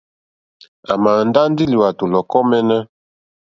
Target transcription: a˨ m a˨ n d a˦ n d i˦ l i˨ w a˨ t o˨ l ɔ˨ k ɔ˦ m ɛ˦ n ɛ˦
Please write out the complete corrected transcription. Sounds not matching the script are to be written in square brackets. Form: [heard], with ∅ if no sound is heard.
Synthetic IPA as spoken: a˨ m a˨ n d a˦ n d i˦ l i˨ w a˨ t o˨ l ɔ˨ k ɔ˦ m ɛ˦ n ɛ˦